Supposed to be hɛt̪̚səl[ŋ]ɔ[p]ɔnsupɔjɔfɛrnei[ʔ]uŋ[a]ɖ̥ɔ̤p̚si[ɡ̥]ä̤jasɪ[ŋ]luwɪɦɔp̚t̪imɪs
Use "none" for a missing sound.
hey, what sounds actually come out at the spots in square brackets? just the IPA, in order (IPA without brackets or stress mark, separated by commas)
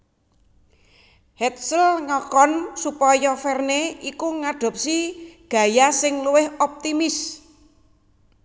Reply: ŋ, k, k, a, ɡ̥, ŋ